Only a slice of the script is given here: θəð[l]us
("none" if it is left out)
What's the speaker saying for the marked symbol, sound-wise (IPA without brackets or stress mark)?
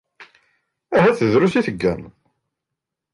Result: ɾ